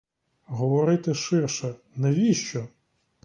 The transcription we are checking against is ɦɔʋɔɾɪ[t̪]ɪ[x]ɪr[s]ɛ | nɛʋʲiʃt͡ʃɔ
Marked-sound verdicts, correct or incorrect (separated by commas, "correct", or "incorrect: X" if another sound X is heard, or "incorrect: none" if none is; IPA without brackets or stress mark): correct, incorrect: ʃ, incorrect: ʃ